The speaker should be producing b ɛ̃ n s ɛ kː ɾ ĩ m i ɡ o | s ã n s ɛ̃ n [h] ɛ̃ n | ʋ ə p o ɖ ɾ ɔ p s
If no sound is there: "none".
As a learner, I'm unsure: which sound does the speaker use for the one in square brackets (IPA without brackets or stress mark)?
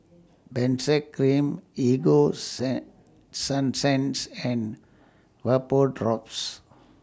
s